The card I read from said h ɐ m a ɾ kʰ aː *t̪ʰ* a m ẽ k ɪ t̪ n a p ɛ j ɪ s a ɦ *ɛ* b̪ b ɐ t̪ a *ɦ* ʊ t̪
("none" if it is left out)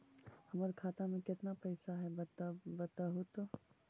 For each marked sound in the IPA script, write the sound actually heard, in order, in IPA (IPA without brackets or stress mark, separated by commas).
t̪, ɛ, ɦ